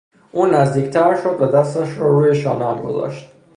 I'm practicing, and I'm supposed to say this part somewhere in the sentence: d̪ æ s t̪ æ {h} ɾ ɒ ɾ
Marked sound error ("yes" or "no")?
yes